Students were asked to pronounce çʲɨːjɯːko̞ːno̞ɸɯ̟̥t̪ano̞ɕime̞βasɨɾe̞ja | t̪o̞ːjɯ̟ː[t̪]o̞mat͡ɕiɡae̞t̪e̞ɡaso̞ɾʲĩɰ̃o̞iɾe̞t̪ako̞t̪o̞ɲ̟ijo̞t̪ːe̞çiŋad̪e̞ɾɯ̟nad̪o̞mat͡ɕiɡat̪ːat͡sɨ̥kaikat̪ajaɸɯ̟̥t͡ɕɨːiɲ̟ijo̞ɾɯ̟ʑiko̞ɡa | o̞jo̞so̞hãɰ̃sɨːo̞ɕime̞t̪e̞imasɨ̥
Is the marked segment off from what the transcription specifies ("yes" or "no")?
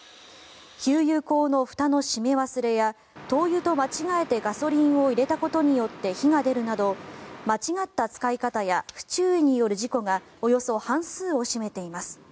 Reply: no